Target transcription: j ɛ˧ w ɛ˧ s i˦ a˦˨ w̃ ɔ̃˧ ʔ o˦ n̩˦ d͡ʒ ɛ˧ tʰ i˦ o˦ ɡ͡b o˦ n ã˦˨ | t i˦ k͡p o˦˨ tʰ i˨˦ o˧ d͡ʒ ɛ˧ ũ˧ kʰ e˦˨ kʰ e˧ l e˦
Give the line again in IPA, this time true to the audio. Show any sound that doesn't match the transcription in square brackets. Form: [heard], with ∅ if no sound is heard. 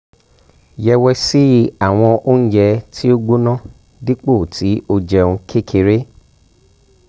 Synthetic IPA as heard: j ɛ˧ w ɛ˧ s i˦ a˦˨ w̃ ɔ̃˧ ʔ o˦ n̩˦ d͡ʒ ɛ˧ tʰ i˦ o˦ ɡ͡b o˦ n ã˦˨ | [d] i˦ k͡p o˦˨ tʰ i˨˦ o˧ d͡ʒ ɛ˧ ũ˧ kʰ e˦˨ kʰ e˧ [ɾ] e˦